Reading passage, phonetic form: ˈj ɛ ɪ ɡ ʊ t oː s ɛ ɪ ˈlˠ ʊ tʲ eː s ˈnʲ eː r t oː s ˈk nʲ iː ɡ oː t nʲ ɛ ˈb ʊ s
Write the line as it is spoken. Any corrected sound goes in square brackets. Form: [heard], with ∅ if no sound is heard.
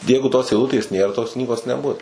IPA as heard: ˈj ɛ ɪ ɡ ʊ t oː s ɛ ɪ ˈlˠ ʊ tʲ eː s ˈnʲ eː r t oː s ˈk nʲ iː ɡ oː [s] nʲ ɛ ˈb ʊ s

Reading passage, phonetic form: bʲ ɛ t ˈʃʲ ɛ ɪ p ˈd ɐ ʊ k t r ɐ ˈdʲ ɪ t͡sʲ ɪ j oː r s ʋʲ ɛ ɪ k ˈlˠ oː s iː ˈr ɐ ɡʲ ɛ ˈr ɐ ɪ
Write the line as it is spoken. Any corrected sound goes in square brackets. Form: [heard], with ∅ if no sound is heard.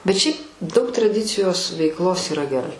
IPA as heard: bʲ ɛ t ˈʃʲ ɛ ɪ p ˈd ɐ ʊ k t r ɐ ˈdʲ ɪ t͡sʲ ɪ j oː [∅] s ʋʲ ɛ ɪ k ˈlˠ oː s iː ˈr ɐ ɡʲ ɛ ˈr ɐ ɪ

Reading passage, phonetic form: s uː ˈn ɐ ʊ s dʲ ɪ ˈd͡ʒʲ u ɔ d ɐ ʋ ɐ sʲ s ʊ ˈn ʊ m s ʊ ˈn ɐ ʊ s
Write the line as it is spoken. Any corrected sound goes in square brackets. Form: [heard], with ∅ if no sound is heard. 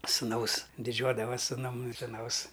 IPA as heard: s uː ˈn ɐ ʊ s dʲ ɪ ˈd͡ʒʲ u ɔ d ɐ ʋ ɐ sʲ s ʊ ˈn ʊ m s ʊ ˈn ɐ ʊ s

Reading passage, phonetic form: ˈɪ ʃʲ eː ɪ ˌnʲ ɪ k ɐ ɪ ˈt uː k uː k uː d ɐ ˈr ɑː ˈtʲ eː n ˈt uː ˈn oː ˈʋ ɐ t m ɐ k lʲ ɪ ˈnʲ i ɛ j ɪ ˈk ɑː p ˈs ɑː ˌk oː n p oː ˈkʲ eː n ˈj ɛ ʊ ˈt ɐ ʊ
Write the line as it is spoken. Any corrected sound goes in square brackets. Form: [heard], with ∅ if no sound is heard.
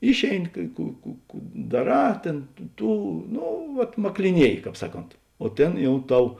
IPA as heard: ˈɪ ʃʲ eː ɪ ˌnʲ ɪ k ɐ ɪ [ˈk] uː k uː k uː d ɐ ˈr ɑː ˈtʲ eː n ˈt uː ˈn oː ˈʋ ɐ t m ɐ k lʲ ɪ ˈnʲ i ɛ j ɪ ˈk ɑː p ˈs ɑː ˌk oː n [t] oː [ˈtʲ] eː n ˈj ɛ ʊ ˈt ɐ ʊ

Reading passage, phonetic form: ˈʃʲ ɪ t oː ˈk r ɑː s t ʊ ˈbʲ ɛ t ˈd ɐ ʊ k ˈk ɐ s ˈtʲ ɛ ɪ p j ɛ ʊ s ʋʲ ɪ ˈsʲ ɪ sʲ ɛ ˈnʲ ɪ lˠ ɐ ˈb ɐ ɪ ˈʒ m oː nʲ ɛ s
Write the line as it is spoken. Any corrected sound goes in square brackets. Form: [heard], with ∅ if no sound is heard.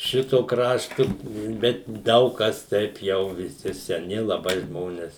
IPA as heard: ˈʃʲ ɪ t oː ˈk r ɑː [ʃ] t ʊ ˈbʲ ɛ t ˈd ɐ ʊ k ˈk ɐ s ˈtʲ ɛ ɪ p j ɛ ʊ [∅] ʋʲ ɪ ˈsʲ ɪ sʲ ɛ ˈnʲ ɪ lˠ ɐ ˈb ɐ ɪ ˈʒ m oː nʲ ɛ s

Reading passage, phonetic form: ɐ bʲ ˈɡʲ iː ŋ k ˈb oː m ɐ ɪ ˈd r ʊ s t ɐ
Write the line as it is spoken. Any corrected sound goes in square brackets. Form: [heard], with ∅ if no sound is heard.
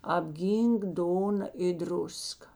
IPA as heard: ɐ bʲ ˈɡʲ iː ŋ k [ˈd] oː [n] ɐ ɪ ˈd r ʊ s [k] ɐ

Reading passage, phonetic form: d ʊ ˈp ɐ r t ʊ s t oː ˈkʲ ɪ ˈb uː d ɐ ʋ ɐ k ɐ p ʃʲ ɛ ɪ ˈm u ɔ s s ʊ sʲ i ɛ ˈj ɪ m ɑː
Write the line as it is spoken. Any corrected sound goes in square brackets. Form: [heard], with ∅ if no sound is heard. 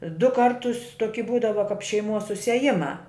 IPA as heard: d ʊ [ˈk] ɐ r t ʊ s t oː ˈkʲ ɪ ˈb uː d ɐ ʋ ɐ k ɐ p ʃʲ ɛ ɪ ˈm u ɔ s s ʊ sʲ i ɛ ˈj ɪ m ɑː

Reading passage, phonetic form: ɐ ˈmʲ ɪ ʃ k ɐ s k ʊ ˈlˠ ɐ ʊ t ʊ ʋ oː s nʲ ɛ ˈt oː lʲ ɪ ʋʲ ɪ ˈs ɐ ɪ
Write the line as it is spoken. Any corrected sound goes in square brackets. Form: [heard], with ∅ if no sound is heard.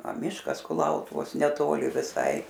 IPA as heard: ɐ ˈmʲ ɪ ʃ k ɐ s k ʊ ˈlˠ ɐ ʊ t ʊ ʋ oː s nʲ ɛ ˈt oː lʲ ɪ ʋʲ ɪ ˈs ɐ ɪ

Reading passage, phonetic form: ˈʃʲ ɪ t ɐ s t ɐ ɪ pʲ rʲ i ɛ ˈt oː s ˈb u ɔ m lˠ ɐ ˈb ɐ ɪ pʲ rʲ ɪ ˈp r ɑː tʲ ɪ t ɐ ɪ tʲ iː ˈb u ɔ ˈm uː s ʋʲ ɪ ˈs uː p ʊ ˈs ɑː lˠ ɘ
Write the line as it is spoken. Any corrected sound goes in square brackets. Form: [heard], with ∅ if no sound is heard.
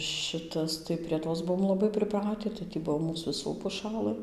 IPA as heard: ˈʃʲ ɪ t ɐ s t ɐ ɪ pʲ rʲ i ɛ ˈt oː s ˈb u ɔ m lˠ ɐ ˈb ɐ ɪ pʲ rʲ ɪ ˈp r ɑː tʲ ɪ t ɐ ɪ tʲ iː ˈb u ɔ ˈm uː s ʋʲ ɪ ˈs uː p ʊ [ˈʃ] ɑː lˠ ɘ

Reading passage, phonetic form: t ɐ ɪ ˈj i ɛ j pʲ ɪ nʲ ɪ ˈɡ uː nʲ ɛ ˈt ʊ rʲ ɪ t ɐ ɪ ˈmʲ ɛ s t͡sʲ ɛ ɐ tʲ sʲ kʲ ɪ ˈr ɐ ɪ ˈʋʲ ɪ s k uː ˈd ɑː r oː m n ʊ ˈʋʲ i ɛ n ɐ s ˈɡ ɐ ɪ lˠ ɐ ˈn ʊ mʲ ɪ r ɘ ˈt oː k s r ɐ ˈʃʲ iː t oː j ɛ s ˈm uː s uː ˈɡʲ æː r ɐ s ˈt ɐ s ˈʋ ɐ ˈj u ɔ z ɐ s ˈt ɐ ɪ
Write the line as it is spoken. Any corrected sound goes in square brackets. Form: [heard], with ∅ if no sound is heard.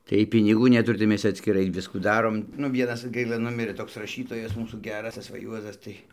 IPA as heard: t ɐ ɪ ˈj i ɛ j pʲ ɪ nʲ ɪ ˈɡ uː nʲ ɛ ˈt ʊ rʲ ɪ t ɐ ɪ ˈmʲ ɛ s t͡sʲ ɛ ɐ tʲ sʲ kʲ ɪ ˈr ɐ ɪ ˈʋʲ ɪ s k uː ˈd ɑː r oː m n ʊ ˈʋʲ i ɛ n ɐ s ˈɡ ɐ ɪ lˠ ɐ ˈn ʊ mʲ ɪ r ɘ ˈt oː k s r ɐ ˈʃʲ iː t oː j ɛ s ˈm uː s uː ˈɡʲ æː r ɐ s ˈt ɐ s ˈʋ ɐ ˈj u ɔ z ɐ s ˈt ɐ ɪ

